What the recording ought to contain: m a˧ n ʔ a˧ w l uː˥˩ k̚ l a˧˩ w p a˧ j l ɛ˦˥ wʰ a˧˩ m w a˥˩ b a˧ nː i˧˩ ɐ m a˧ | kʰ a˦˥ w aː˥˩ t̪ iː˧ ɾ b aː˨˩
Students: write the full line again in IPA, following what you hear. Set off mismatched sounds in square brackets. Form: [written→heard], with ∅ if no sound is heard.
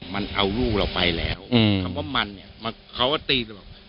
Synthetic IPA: m a˧ n ʔ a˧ w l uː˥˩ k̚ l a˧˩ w p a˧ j l [ɛ˦˥→ɛː˦˥] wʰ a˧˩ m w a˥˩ [b→m] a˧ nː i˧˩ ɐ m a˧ | kʰ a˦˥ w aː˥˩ t̪ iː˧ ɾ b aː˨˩

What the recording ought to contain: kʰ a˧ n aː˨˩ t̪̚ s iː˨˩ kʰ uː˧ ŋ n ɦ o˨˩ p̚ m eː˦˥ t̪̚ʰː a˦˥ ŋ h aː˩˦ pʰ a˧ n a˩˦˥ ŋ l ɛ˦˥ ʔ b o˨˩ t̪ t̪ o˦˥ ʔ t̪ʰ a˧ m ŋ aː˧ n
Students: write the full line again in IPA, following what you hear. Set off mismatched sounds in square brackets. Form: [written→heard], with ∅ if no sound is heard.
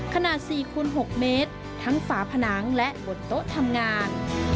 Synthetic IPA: kʰ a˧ n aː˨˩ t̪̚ s iː˨˩ kʰ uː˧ [ŋ→∅] n ɦ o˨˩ [p̚→k̚] m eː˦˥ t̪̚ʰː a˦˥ ŋ [h→f] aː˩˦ pʰ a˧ n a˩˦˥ ŋ l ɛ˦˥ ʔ b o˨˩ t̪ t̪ o˦˥ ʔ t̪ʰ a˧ m ŋ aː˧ n

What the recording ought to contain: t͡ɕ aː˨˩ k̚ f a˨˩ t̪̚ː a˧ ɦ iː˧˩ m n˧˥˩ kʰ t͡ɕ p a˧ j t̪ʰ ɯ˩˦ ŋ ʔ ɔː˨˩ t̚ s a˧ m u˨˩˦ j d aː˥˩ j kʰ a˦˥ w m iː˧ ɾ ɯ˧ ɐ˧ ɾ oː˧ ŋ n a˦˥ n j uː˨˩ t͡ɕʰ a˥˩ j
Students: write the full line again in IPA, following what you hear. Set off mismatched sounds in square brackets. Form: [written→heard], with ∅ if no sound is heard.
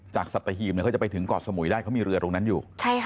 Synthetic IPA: t͡ɕ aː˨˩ k̚ [f→s] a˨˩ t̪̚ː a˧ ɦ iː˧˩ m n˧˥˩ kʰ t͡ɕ p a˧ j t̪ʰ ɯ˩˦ ŋ [ʔ→k] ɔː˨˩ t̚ s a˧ m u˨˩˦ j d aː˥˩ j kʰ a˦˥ w m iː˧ ɾ ɯ˧ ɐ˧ ɾ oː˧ ŋ n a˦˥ n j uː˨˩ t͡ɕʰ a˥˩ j

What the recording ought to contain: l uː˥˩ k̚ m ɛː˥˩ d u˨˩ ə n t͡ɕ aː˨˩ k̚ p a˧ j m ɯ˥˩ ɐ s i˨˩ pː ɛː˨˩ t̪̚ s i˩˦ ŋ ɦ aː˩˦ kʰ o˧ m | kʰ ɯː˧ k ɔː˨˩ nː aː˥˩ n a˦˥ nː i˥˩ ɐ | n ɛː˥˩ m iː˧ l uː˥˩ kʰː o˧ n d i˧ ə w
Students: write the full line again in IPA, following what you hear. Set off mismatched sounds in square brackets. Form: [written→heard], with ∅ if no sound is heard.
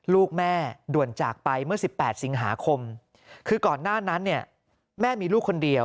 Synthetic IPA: l uː˥˩ k̚ m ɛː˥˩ d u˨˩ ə n t͡ɕ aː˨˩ k̚ p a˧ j m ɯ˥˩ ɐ s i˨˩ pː ɛː˨˩ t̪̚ s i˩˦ ŋ ɦ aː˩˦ kʰ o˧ m | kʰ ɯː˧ k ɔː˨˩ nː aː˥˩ n a˦˥ nː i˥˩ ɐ | [n→m] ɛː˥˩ m iː˧ l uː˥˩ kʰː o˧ n d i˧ ə w

